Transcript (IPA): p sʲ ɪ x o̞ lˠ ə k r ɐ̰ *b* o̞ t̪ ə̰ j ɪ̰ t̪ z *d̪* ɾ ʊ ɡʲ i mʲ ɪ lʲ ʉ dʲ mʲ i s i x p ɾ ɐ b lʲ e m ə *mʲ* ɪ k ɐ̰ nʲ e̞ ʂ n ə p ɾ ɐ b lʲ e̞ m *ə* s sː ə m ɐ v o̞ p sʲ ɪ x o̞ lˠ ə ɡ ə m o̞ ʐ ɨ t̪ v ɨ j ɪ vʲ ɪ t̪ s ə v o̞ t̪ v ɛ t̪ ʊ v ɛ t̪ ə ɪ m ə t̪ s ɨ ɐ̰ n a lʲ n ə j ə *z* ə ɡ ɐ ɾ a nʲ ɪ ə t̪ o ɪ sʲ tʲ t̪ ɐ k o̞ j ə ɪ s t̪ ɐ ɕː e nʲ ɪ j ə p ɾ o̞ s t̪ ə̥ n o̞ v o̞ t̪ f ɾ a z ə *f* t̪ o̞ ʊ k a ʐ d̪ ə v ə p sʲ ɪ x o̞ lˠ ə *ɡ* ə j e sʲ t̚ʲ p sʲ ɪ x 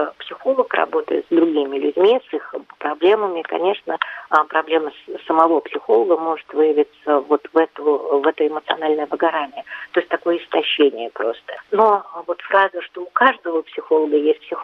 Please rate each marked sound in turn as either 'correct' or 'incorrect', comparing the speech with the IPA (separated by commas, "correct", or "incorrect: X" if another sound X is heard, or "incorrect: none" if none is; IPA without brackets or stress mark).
correct, correct, correct, correct, incorrect: v, incorrect: ʂ, correct